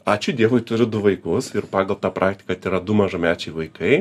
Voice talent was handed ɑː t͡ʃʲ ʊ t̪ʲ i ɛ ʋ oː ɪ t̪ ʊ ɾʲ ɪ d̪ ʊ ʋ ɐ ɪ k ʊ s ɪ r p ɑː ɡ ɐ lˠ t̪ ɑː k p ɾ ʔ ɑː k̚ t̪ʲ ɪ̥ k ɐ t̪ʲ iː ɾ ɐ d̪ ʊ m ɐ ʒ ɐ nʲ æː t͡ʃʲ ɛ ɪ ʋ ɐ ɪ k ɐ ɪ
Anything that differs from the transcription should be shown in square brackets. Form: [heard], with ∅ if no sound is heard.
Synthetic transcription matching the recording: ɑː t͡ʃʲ ʊ [d̪ʲ] i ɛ ʋ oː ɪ t̪ ʊ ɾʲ ɪ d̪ ʊ ʋ ɐ ɪ k ʊ s ɪ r p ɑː ɡ ɐ lˠ t̪ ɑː [∅] p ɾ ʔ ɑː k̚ t̪ʲ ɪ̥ k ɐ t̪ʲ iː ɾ ɐ d̪ ʊ m ɐ ʒ ɐ [mʲ] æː t͡ʃʲ ɛ ɪ ʋ ɐ ɪ k ɐ ɪ